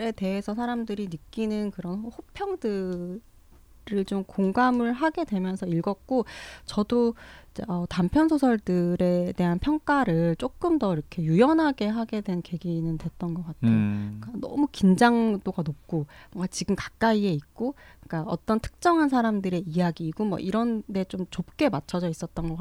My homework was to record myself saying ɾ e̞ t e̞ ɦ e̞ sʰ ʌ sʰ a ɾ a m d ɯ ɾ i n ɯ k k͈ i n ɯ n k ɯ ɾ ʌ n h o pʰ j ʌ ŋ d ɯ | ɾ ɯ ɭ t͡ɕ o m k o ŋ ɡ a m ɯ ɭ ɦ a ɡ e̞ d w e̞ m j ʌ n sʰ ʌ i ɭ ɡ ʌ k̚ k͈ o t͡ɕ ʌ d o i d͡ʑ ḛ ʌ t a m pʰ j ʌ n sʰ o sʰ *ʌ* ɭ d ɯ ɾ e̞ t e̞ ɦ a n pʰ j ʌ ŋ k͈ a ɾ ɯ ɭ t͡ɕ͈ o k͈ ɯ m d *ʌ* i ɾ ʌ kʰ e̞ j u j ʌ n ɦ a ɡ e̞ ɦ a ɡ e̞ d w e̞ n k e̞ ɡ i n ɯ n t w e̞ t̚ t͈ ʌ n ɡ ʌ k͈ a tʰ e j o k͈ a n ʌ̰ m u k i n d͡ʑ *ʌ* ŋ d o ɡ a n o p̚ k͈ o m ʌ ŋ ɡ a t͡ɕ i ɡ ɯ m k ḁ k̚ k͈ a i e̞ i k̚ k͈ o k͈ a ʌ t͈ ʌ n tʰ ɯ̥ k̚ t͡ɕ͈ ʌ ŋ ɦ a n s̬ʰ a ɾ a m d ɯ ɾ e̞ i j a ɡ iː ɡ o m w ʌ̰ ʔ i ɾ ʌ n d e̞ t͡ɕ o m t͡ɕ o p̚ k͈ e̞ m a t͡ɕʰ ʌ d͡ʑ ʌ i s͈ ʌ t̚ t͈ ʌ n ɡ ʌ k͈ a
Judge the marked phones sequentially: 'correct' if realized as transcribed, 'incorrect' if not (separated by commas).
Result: correct, correct, incorrect